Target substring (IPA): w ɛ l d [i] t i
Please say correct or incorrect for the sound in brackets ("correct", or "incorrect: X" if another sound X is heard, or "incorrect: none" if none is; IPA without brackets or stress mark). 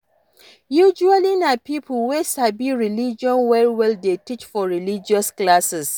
incorrect: e